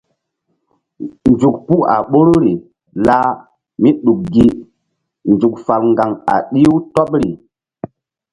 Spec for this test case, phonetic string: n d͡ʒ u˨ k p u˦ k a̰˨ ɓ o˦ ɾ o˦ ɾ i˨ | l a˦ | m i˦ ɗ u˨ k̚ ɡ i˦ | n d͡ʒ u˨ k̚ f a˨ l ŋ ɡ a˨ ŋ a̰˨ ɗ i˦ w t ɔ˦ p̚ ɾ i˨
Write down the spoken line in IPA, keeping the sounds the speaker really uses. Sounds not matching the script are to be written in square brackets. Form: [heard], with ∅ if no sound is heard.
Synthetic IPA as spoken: n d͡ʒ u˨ k p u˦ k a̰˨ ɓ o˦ ɾ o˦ ɾ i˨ | l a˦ | m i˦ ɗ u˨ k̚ ɡ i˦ | n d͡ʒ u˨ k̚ f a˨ l ŋ ɡ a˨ ŋ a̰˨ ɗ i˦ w t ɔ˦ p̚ ɾ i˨